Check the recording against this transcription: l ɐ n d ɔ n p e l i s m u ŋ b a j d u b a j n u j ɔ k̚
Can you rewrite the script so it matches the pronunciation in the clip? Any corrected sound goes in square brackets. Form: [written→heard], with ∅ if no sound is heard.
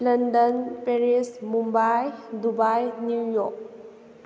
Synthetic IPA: l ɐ n d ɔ n p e [l→ɾ] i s m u [ŋ→m] b a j d u b a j n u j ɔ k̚